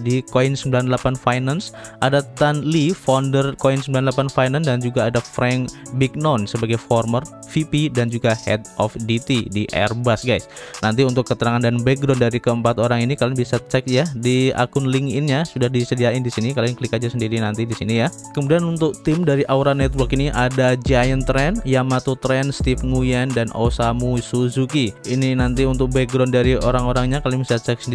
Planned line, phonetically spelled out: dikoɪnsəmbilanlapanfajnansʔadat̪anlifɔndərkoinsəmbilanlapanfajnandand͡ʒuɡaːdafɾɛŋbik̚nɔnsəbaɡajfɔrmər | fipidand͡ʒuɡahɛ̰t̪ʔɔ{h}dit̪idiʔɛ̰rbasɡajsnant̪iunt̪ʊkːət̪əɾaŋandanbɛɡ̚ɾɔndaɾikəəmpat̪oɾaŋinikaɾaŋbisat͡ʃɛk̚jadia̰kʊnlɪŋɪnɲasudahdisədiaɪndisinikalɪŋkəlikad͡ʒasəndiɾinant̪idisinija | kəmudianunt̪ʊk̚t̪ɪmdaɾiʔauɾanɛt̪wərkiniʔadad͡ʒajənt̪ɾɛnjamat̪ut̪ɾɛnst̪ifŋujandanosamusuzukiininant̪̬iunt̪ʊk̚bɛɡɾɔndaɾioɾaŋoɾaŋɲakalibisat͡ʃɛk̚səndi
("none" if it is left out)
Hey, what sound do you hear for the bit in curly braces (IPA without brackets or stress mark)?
f